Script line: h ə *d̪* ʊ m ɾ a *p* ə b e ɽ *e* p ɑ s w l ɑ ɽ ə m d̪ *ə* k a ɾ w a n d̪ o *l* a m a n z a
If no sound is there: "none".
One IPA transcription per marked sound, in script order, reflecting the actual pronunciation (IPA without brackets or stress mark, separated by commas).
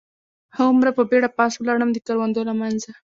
none, p, a, ə, l